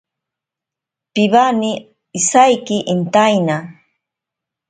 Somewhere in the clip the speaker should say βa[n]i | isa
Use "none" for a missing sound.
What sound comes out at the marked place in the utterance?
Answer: n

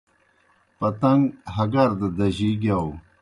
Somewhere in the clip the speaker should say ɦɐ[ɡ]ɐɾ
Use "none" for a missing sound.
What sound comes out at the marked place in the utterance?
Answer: ɡ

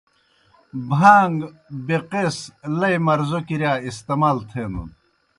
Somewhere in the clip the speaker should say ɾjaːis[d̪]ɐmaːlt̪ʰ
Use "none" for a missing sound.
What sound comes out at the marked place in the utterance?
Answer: t̪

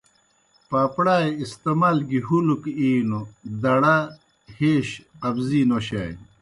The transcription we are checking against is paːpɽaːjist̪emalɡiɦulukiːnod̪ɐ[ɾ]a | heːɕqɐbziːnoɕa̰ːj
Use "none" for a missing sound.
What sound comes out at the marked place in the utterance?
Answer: ɽ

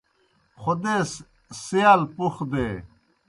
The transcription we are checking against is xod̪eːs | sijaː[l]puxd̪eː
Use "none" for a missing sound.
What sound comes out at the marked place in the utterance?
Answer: l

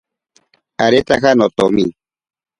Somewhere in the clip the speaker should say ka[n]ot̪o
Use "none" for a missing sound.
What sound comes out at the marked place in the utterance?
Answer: n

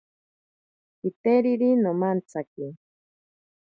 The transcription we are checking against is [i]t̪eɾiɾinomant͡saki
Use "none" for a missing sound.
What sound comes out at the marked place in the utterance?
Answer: i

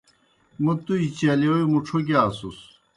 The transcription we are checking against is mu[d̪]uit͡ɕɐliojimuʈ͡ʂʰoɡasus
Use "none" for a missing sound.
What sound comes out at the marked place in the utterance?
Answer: t̪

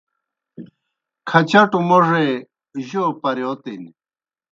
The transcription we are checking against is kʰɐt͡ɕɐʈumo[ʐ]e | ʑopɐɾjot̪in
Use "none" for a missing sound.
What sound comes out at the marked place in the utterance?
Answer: ʐ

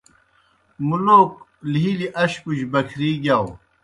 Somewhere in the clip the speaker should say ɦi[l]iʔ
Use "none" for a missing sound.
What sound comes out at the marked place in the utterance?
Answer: l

